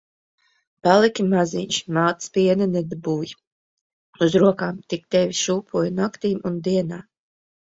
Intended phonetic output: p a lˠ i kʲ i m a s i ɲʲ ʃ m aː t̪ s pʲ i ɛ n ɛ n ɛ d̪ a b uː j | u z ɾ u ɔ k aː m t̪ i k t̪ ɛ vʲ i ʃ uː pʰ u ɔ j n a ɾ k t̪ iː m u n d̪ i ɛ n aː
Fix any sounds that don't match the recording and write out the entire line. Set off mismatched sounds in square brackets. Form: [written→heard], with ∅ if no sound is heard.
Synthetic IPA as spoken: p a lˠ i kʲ i m a [s→z] i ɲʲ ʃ m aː t̪ s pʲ i ɛ n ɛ n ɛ d̪ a b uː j | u z ɾ u ɔ k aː m t̪ i k t̪ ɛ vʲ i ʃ uː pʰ u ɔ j n a [ɾ→∅] k t̪ iː m u n d̪ i ɛ n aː